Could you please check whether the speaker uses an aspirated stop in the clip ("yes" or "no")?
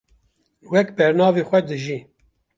no